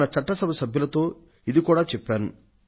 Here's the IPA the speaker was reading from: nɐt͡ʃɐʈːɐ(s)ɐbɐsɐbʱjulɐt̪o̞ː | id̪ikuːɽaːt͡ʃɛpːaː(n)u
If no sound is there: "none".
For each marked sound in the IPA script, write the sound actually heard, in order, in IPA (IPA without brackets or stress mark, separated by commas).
s, n